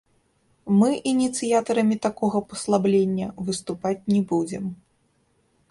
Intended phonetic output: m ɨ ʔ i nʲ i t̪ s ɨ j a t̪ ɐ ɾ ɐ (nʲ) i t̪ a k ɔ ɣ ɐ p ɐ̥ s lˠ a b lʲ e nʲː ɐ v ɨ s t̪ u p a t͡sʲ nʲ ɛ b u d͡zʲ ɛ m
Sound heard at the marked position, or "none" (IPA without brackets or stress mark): mʲ